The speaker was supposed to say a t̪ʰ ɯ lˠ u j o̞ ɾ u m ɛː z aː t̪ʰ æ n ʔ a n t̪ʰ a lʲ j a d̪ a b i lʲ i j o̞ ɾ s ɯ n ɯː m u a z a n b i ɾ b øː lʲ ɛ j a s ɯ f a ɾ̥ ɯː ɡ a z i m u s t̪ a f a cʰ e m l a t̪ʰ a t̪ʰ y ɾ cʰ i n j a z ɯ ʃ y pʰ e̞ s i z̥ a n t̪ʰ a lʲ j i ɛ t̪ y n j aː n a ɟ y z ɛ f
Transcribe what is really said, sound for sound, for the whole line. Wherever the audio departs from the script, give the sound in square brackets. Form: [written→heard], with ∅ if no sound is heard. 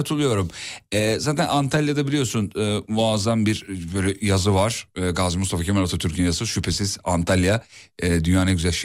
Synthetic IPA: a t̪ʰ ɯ lˠ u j o̞ ɾ u m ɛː z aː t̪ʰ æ n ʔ a n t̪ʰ a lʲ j a d̪ a b i lʲ i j o̞ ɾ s [ɯ→u] n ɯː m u a z a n b i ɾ b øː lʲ ɛ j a [s→z] ɯ [f→v] a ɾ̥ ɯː ɡ a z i m u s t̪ a f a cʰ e m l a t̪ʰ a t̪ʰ y ɾ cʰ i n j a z ɯ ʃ y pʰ e̞ s i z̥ a n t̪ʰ a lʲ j [i→a] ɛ [t̪→d̪] y n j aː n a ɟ y z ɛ [f→ʃ]